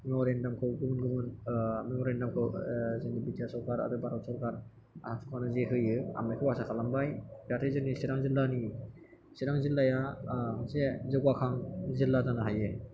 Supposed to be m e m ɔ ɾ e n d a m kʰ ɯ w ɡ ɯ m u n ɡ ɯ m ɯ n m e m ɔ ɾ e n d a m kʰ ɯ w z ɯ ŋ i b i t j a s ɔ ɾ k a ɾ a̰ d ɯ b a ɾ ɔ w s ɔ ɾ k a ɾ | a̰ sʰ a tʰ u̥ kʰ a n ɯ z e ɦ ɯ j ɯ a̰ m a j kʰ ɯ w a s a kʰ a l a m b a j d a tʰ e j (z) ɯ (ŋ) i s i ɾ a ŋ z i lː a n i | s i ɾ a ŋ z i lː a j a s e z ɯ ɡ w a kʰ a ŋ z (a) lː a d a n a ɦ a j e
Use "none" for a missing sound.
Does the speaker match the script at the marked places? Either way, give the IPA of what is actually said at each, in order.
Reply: z, n, i

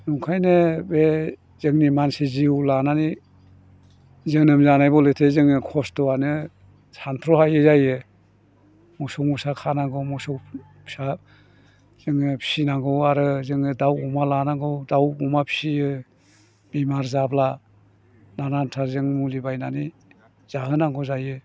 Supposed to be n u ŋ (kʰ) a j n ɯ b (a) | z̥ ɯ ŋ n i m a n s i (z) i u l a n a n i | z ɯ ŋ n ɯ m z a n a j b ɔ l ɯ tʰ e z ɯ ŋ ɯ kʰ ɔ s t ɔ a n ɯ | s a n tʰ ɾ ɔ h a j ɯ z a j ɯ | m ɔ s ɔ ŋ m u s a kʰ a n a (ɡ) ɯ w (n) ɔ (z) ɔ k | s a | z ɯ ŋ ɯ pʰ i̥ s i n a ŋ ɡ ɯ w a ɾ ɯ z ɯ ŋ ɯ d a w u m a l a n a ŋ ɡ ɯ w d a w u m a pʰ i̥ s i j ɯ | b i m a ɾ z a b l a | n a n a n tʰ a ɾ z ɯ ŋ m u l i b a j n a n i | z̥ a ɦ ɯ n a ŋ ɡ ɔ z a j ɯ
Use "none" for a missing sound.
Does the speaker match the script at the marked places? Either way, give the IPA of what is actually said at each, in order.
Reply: kʰ, e, z, ɡ, m, s

